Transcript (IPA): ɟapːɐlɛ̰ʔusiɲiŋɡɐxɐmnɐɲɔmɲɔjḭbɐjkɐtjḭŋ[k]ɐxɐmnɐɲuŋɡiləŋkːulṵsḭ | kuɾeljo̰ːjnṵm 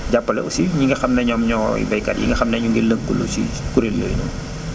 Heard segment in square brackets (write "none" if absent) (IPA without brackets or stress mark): ɡ